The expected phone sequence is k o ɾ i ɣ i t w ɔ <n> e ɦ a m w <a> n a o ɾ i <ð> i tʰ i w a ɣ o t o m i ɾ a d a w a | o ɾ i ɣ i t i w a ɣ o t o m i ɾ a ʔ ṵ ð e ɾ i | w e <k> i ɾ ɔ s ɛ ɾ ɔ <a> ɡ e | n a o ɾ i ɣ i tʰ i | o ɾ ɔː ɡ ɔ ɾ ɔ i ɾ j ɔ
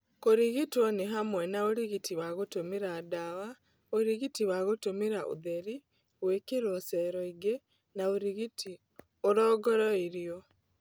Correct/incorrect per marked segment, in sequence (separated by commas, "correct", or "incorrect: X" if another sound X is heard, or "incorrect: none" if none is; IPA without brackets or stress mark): correct, incorrect: ɛ, incorrect: ɣ, correct, incorrect: i